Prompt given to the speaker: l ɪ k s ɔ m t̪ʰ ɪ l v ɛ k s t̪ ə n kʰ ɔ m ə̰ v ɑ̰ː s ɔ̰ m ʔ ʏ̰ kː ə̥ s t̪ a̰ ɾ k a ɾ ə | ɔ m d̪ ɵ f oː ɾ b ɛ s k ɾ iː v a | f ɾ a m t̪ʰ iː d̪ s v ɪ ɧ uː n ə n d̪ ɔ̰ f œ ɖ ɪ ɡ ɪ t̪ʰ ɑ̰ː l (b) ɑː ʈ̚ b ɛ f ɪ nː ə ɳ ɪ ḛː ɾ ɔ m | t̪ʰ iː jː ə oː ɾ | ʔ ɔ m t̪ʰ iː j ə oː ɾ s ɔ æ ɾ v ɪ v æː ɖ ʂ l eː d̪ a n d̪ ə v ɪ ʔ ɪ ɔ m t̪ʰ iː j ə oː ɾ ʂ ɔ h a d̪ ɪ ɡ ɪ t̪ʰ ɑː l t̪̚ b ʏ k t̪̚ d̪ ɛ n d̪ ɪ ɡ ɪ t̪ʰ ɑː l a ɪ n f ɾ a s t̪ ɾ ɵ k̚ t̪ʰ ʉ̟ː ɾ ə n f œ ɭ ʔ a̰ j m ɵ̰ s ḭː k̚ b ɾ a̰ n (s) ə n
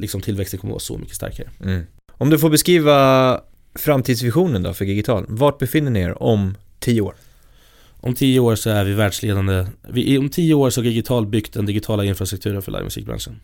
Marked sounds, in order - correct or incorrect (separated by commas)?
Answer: incorrect, incorrect